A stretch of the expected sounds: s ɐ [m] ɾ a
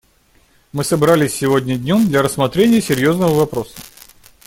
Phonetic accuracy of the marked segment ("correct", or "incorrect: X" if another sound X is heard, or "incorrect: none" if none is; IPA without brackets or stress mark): incorrect: b